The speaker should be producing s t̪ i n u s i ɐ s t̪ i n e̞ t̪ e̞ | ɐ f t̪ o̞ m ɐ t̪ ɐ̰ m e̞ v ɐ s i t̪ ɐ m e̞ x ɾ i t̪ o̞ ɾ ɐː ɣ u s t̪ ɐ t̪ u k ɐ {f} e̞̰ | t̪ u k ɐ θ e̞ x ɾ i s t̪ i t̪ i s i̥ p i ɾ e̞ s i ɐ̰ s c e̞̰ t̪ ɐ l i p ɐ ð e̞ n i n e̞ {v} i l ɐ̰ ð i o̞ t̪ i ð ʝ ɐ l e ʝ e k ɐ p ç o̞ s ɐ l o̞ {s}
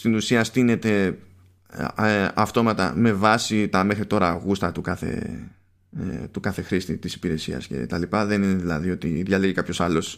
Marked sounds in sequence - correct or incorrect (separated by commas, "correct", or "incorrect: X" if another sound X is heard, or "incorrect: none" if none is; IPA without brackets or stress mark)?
incorrect: θ, incorrect: ð, correct